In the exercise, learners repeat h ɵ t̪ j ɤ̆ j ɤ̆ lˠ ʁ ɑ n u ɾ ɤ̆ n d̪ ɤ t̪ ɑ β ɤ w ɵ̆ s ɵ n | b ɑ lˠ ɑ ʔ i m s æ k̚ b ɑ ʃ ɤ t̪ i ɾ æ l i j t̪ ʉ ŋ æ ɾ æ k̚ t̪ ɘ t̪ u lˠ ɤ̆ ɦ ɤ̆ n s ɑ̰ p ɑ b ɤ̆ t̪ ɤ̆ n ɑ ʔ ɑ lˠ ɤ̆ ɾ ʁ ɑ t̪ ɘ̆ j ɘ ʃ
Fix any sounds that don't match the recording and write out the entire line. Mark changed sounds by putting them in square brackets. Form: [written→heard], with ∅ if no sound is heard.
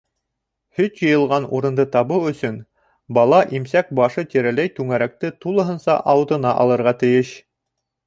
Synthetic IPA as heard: h ɵ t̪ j ɤ̆ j ɤ̆ lˠ ʁ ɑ n u ɾ ɤ̆ n d̪ ɤ t̪ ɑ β ɤ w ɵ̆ s ɵ n | b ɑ lˠ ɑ ʔ i m s æ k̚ b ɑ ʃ ɤ t̪ i ɾ æ l [i→æ] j t̪ ʉ ŋ æ ɾ æ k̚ t̪ ɘ t̪ u lˠ ɤ̆ ɦ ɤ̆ n s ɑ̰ [p→ʔ] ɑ [b→w] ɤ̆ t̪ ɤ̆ n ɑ ʔ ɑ lˠ ɤ̆ ɾ ʁ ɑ t̪ ɘ̆ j ɘ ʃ